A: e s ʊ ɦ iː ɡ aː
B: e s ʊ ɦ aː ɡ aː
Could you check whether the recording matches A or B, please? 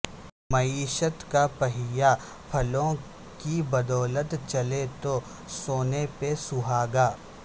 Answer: B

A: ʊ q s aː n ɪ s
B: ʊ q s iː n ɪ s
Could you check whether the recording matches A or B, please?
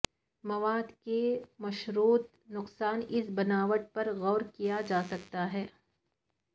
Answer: A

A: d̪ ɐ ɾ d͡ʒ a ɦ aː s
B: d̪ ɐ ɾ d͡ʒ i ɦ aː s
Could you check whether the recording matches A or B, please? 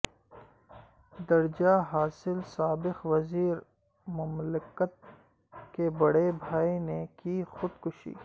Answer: A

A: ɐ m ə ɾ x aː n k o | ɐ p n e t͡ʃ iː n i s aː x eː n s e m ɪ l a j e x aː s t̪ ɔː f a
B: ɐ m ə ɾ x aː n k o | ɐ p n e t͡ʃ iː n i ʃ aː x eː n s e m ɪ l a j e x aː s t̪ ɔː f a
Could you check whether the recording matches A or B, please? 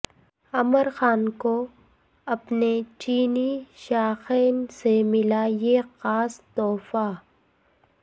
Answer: B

